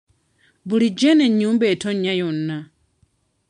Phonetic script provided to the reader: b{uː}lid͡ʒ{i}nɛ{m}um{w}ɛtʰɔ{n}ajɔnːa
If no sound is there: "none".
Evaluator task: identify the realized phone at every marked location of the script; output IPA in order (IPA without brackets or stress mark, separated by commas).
u, ɛ, ɲ, b, ɲ